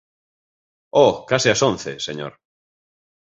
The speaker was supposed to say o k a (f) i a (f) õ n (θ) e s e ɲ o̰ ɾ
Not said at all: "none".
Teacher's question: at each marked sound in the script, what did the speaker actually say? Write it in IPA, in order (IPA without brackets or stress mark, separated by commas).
s, s, θ